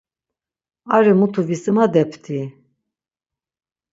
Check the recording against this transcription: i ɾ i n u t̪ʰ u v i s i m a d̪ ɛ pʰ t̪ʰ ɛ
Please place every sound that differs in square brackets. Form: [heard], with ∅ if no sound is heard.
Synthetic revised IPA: [a] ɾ i [m] u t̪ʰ u v i s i m a d̪ ɛ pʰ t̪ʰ [i]